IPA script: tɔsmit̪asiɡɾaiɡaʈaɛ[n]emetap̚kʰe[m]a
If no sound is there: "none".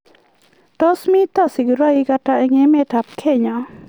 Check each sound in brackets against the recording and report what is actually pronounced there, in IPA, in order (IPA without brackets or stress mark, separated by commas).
ŋ, ɲ